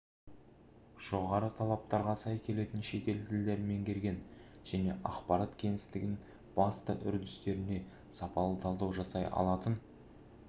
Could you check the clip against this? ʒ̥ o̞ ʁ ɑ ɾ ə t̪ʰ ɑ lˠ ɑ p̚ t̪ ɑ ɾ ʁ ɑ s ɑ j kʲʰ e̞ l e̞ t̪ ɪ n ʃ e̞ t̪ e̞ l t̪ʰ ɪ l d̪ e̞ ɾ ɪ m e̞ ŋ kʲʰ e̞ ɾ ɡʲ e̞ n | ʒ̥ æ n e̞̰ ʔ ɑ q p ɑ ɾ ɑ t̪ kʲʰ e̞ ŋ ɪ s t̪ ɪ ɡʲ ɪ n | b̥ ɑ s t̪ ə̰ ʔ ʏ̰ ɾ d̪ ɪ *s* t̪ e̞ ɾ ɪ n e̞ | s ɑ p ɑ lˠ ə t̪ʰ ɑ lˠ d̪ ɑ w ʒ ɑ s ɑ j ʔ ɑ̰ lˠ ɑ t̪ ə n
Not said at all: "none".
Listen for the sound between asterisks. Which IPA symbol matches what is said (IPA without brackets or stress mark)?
s